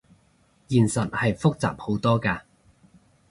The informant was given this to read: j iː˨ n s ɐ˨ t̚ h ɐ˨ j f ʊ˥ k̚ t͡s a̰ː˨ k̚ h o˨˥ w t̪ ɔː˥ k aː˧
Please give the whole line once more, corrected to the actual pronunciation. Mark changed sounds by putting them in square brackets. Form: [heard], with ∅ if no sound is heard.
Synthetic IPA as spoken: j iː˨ n s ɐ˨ t̚ h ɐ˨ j f ʊ˥ k̚ t͡s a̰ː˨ [p̚] h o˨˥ w t̪ ɔː˥ k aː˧